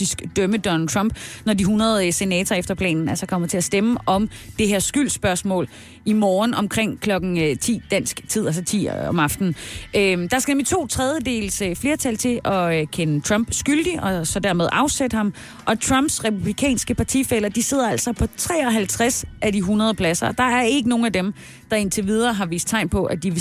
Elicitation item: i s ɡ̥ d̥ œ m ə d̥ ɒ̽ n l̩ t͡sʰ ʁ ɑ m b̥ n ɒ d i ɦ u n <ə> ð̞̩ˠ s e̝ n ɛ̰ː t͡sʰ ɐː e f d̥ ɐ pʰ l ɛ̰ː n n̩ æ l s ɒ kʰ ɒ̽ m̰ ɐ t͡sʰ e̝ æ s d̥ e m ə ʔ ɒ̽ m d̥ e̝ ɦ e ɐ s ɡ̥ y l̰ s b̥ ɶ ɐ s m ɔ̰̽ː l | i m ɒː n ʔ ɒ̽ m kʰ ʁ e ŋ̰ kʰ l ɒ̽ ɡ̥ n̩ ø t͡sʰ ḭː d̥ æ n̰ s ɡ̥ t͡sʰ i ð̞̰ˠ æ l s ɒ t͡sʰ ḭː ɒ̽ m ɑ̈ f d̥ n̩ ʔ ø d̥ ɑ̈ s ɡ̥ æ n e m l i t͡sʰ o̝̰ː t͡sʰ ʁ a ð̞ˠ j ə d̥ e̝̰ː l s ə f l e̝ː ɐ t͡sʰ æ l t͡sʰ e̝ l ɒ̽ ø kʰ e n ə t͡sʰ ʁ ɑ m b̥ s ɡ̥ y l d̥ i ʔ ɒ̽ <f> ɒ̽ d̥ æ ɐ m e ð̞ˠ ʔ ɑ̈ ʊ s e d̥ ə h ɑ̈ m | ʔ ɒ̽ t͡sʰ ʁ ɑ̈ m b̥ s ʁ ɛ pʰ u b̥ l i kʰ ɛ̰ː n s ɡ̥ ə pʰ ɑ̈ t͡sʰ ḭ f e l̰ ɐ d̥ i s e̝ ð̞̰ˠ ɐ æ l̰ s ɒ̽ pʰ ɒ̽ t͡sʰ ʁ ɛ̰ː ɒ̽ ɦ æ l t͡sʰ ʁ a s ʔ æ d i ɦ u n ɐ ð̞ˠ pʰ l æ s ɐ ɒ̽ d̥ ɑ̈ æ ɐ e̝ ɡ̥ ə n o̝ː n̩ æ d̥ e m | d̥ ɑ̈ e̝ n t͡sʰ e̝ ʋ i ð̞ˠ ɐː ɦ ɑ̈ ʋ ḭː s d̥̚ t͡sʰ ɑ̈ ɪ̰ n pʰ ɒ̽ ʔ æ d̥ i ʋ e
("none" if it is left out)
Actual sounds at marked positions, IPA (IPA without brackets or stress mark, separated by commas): ɐ, s